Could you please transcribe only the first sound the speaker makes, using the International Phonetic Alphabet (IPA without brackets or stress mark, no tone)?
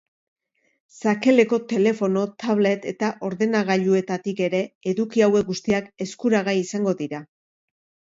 s